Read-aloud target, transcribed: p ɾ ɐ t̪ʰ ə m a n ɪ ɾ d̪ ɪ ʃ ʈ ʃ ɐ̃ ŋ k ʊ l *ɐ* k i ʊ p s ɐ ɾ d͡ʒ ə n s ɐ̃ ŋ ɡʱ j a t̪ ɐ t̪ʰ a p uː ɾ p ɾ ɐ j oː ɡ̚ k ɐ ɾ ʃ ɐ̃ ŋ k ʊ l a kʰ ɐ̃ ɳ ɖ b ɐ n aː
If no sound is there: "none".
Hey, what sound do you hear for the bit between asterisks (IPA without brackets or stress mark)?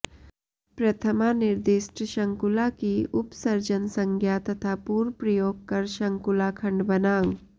a